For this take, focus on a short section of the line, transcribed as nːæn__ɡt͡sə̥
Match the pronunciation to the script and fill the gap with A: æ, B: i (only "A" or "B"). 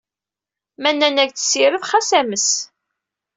A